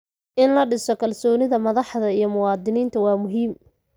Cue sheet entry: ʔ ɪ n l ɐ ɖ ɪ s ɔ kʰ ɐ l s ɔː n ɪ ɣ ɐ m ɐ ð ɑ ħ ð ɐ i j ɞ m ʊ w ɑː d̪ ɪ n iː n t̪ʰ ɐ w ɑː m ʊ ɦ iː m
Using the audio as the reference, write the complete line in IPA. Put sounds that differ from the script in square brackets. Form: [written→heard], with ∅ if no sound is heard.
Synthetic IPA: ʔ ɪ n l ɐ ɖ ɪ s ɔ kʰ ɐ l s ɔː n ɪ [ɣ→ð] ɐ m ɐ ð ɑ ħ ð ɐ i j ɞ m ʊ w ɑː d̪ ɪ n iː n t̪ʰ ɐ w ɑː m ʊ ɦ iː m